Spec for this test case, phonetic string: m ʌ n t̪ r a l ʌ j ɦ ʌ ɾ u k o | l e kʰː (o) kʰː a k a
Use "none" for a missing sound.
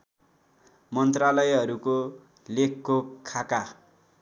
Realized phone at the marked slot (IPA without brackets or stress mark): o